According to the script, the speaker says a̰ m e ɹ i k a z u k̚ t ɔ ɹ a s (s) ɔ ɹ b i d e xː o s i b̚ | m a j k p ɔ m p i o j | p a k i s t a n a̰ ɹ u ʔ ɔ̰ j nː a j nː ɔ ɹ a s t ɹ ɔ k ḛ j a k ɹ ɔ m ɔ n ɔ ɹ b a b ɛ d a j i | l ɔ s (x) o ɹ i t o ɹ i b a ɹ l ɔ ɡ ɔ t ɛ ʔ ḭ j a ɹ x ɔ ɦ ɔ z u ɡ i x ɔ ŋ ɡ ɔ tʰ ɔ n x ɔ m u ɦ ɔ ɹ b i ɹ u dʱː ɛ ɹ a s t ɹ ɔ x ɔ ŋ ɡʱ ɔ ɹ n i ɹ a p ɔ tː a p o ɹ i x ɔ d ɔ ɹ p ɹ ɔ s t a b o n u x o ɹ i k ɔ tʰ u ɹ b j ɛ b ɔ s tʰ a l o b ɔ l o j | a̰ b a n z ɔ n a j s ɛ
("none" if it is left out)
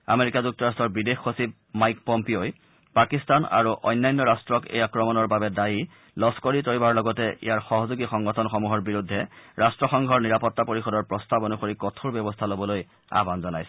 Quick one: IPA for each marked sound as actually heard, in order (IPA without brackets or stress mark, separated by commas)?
t, k